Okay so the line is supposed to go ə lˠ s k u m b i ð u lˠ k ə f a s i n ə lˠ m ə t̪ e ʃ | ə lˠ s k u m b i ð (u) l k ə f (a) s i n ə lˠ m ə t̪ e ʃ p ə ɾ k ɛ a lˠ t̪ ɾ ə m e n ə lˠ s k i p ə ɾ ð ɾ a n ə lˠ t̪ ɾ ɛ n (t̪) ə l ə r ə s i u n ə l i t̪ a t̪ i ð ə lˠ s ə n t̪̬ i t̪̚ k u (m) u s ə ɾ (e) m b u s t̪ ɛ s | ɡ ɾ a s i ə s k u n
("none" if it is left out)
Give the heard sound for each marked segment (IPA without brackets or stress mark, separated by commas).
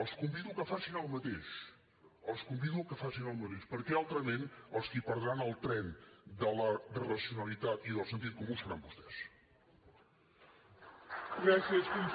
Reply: u, a, d̪, m, a